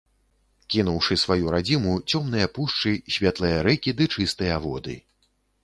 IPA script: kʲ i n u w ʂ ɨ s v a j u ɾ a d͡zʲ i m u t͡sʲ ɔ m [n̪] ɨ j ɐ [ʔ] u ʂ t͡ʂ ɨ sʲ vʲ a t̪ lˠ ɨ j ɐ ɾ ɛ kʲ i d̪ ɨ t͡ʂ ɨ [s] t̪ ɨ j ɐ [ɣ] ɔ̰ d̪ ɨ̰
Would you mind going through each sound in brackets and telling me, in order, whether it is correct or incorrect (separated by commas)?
correct, incorrect, correct, incorrect